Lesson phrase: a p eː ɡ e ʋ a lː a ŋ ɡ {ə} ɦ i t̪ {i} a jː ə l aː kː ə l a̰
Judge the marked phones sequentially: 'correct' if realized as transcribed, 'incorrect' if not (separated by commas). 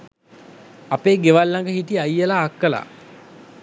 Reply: correct, correct